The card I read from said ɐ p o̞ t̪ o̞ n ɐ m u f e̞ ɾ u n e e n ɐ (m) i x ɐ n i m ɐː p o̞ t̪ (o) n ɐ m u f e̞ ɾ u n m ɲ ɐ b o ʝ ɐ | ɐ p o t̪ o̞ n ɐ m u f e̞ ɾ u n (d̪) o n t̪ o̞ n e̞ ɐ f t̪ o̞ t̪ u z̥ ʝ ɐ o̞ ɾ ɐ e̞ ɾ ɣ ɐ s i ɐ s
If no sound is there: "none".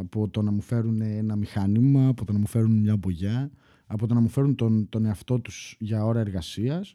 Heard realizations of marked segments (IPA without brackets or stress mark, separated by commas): m, o, t̪